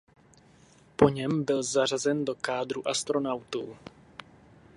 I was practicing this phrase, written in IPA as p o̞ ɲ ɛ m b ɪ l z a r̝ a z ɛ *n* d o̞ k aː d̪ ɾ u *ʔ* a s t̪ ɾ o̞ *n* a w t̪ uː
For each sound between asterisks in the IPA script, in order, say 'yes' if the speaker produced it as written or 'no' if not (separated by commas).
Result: yes, yes, yes